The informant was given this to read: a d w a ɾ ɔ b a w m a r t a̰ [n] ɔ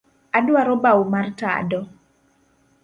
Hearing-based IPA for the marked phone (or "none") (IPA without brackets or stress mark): d